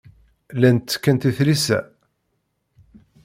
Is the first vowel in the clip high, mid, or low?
low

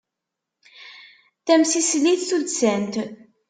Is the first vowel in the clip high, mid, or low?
low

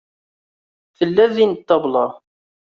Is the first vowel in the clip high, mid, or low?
mid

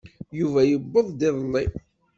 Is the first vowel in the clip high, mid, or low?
high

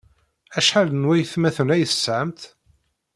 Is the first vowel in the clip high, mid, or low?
low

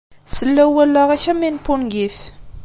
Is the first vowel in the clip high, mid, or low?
mid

